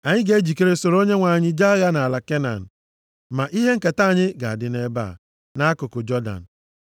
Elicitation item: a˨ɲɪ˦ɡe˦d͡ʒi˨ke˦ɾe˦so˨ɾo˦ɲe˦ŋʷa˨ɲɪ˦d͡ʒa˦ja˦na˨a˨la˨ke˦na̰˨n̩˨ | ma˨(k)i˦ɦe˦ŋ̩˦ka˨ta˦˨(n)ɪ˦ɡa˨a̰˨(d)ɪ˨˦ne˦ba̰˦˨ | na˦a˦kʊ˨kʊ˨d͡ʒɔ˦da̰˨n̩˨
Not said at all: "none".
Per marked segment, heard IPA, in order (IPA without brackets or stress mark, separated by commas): ʔ, ɲ, d